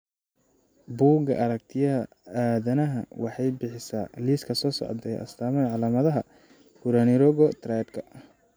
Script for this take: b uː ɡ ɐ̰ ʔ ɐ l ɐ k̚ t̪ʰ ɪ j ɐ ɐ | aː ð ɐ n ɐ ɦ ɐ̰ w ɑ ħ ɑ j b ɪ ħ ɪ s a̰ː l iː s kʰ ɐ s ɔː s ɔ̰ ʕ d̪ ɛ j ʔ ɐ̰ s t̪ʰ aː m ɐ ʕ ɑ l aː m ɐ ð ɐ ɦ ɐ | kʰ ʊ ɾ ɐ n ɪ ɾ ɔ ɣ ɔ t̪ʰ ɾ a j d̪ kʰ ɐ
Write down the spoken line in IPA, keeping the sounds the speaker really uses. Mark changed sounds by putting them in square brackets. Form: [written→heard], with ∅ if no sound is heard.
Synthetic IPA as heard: b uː ɡ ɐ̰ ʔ ɐ [l→ɾ] ɐ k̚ t̪ʰ ɪ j ɐ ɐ | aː ð ɐ n ɐ ɦ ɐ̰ w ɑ ħ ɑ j b ɪ ħ ɪ s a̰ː l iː s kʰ ɐ s ɔː s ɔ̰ ʕ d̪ ɛ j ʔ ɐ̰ s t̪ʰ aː m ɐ ʕ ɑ l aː m ɐ ð ɐ ɦ ɐ | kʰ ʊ ɾ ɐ n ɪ ɾ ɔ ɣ ɔ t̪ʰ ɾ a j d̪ kʰ ɐ